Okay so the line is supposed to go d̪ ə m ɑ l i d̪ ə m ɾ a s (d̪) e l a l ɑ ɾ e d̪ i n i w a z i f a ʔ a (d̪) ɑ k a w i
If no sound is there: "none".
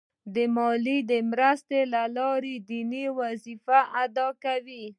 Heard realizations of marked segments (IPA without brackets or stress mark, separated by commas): t̪, d̪